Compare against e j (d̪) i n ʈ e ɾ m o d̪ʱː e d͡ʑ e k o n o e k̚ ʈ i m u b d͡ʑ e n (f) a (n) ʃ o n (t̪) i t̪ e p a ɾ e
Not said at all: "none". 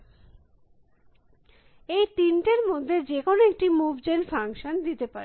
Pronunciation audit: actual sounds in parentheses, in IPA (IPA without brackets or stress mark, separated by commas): t̪, f, ŋ, d̪